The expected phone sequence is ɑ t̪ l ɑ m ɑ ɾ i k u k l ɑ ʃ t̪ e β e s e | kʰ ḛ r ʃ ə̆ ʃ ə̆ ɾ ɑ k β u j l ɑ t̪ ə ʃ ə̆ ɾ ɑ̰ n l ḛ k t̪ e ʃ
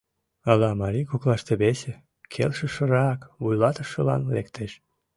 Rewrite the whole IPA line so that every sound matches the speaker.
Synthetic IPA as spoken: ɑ l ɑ m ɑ ɾ i k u k l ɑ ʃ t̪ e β e s e | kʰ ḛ l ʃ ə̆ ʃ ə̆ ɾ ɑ k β u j l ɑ t̪ ə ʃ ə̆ l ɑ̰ n l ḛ k t̪ e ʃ